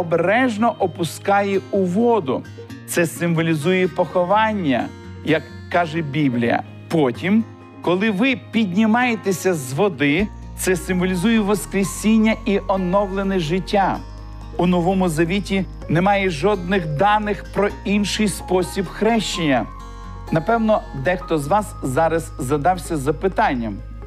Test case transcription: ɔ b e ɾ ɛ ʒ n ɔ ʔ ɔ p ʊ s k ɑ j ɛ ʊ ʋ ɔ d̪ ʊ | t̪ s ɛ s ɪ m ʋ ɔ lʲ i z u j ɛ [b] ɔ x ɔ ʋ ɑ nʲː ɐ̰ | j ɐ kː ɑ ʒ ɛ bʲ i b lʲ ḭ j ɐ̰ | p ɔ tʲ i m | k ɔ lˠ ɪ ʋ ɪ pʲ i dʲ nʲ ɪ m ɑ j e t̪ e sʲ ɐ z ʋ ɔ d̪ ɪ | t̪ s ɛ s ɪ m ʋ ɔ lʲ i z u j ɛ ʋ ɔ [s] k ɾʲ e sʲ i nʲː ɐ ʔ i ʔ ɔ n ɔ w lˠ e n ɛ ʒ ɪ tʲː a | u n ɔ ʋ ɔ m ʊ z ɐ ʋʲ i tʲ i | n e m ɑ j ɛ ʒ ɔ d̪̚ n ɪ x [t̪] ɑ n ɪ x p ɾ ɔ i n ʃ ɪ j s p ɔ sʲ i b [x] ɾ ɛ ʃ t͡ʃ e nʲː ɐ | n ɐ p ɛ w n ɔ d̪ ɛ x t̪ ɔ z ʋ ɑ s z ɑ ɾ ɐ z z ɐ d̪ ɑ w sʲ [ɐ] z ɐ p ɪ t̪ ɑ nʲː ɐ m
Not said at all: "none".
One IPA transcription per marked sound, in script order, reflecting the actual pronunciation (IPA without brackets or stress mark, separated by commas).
p, s, d̪, x, ɐ